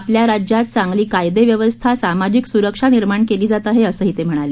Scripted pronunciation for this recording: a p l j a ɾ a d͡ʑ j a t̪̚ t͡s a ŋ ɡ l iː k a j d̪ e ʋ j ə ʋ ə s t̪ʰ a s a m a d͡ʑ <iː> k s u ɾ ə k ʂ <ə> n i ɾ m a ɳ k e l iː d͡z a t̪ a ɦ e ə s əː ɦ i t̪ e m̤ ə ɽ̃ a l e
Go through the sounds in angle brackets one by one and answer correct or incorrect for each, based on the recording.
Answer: incorrect, incorrect

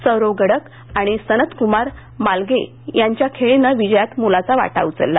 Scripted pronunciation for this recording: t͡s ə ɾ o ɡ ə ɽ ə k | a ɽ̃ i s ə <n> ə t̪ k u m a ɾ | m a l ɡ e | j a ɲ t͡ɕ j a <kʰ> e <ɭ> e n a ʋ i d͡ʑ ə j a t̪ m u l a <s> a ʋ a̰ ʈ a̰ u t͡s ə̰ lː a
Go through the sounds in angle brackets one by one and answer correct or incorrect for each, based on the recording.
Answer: correct, correct, correct, incorrect

